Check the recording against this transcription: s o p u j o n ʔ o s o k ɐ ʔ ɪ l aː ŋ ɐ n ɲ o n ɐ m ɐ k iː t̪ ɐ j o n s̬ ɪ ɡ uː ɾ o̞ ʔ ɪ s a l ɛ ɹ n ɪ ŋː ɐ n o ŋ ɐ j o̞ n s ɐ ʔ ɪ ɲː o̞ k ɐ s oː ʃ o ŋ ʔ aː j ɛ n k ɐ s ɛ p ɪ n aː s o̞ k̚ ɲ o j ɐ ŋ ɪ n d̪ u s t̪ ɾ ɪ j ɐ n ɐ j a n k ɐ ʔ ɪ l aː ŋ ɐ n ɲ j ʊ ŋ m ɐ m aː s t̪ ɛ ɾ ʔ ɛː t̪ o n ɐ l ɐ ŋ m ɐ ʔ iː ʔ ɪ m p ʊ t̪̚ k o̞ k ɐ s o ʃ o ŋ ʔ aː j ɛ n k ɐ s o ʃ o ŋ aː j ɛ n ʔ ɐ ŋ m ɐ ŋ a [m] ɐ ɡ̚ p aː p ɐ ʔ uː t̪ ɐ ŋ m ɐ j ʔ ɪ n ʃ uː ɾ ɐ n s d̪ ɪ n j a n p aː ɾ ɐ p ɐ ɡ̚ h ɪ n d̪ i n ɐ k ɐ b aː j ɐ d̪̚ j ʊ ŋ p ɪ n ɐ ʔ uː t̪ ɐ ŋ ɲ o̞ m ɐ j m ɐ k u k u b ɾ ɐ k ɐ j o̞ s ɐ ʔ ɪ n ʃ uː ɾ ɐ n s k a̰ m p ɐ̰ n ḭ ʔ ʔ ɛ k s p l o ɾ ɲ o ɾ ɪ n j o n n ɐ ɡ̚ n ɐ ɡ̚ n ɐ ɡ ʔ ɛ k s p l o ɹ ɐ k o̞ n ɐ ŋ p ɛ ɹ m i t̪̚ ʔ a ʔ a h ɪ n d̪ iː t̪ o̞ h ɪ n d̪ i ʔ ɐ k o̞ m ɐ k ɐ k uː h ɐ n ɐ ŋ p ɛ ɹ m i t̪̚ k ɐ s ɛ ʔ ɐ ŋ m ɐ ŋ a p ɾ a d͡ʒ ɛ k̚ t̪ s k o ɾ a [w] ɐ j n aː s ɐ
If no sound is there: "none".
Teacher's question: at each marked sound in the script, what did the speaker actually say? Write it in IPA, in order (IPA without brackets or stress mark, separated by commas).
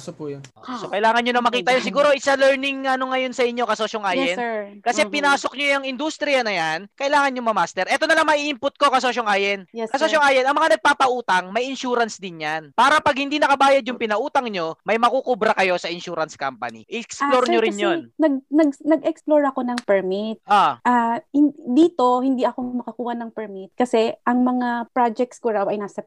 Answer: n, w